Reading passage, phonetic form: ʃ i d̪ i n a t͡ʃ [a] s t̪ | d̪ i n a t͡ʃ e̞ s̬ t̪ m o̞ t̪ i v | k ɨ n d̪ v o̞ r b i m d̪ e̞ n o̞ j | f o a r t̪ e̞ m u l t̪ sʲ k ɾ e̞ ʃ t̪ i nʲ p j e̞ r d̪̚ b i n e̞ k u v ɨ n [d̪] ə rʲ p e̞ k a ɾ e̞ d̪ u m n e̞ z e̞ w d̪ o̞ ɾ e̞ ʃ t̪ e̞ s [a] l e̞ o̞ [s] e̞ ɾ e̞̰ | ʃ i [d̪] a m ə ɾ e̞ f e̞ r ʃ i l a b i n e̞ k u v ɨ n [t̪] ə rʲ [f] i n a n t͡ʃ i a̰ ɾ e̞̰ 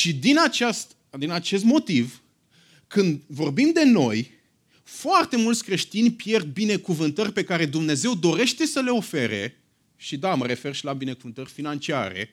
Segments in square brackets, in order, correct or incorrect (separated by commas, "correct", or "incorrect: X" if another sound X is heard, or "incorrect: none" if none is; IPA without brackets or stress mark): correct, incorrect: t̪, incorrect: ə, incorrect: f, correct, correct, correct